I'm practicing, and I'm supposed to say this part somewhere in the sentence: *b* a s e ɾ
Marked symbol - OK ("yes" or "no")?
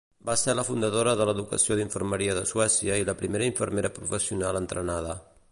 yes